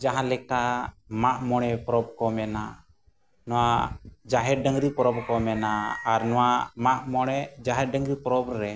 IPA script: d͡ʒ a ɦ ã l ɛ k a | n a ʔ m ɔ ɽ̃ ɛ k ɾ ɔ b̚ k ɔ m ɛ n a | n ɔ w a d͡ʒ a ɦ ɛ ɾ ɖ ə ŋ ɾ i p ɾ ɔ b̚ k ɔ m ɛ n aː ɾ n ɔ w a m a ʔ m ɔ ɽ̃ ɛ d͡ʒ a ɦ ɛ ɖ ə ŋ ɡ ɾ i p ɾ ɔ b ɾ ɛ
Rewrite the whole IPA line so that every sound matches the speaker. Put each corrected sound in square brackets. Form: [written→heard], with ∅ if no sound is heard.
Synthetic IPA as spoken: d͡ʒ a ɦ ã l ɛ k a | [n→m] a ʔ m ɔ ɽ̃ ɛ [k→p] ɾ ɔ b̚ k ɔ m ɛ n a | n ɔ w a d͡ʒ a ɦ ɛ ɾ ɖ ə ŋ ɾ i p ɾ ɔ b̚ k ɔ m ɛ n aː ɾ n ɔ w a m a ʔ m ɔ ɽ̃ ɛ d͡ʒ a ɦ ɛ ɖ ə ŋ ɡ ɾ i p ɾ ɔ b ɾ ɛ

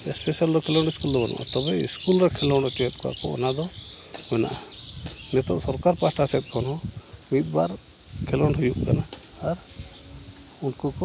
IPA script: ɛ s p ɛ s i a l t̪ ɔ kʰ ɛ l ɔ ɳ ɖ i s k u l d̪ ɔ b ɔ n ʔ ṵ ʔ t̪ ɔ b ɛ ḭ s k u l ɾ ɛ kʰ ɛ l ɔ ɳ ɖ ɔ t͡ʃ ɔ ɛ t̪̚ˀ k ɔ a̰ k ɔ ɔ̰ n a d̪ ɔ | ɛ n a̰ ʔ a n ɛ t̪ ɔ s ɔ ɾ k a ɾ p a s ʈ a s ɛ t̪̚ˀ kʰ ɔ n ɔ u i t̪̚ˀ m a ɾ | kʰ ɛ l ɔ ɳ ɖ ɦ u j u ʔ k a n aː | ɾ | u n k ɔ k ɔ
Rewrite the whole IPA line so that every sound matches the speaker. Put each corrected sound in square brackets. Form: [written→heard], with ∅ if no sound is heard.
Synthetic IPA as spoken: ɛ s p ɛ s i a l [t̪→d̪] ɔ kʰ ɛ l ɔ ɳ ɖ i s k u l d̪ ɔ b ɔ n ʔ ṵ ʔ t̪ ɔ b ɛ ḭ s k u l ɾ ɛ kʰ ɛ l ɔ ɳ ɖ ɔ t͡ʃ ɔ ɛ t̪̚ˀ k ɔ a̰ k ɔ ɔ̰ n a d̪ ɔ | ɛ n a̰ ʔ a n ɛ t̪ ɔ s ɔ ɾ k a ɾ p a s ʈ a s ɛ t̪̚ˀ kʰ ɔ n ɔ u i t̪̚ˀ [m→b] a ɾ | kʰ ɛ l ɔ ɳ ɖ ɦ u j u ʔ k a n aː | ɾ | u n k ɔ k ɔ

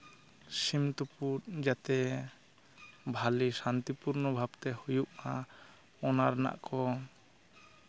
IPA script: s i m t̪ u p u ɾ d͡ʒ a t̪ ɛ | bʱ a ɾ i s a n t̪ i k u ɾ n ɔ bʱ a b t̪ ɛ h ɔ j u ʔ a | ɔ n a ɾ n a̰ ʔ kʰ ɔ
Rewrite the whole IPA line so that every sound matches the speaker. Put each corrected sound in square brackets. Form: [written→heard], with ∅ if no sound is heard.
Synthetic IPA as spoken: s i m t̪ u p u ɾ d͡ʒ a t̪ ɛ | bʱ a [ɾ→l] i s a n t̪ i [k→p] u ɾ n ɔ bʱ a b t̪ ɛ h [ɔ→u] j u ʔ a | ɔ n a ɾ n a̰ ʔ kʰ ɔ

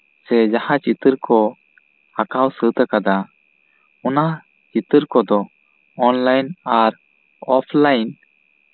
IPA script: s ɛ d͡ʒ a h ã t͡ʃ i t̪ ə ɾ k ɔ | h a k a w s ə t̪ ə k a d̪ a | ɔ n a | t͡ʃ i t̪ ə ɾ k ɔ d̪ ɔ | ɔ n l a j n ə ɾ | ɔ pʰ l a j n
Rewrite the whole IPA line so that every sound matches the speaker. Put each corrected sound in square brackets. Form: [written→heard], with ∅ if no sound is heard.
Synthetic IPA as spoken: s ɛ d͡ʒ a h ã t͡ʃ i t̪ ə ɾ k ɔ | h a k a w s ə t̪ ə k a d̪ a | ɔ n a | t͡ʃ i t̪ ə ɾ k ɔ d̪ ɔ | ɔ n l a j n [ə→a] ɾ | ɔ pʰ l a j n

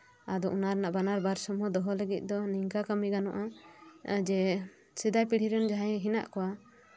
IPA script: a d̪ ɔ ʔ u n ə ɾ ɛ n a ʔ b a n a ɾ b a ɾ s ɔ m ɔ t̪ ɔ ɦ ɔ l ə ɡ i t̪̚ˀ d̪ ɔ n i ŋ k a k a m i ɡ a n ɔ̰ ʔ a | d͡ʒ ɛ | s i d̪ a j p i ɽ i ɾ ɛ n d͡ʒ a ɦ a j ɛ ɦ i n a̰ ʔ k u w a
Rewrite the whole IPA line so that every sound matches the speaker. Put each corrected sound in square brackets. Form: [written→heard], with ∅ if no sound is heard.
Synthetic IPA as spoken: a d̪ ɔ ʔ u n [ə→a] ɾ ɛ n a ʔ b a n a ɾ b a ɾ s ɔ m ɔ [t̪→d̪] ɔ ɦ ɔ l ə ɡ i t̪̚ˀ d̪ ɔ n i ŋ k a k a m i ɡ a n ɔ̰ ʔ a | d͡ʒ ɛ | s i d̪ a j p i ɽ i ɾ ɛ n d͡ʒ a ɦ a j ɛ ɦ i n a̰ ʔ k [u→ɔ] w a

